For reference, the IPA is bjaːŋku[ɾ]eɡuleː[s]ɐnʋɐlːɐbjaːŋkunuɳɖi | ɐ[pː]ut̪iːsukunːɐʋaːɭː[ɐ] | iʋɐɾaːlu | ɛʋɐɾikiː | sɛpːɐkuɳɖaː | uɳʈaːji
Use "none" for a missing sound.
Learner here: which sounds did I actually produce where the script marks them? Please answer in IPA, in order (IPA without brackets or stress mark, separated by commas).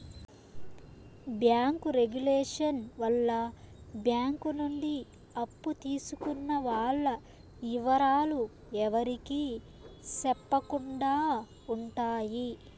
ɾ, ʂ, pː, ɐ